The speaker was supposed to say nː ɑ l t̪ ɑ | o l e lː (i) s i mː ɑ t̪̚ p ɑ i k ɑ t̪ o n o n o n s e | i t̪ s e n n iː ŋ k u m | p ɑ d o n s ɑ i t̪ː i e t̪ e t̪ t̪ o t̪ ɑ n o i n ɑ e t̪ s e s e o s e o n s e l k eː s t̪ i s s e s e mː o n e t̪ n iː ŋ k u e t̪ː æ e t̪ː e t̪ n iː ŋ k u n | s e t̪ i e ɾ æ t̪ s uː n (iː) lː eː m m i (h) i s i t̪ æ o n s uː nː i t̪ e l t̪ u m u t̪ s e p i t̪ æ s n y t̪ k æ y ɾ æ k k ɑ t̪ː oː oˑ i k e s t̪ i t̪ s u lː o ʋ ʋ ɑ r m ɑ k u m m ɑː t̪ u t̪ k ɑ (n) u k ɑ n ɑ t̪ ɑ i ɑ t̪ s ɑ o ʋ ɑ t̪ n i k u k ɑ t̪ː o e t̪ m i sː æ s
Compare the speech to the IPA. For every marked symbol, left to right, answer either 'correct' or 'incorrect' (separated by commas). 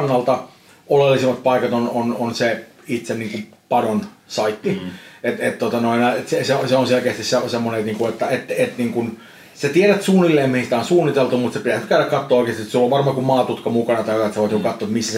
correct, incorrect, correct, incorrect